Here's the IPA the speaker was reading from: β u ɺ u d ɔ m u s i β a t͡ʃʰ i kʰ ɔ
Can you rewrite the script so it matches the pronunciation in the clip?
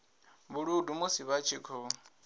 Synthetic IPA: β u ɺ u d u m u s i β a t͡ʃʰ i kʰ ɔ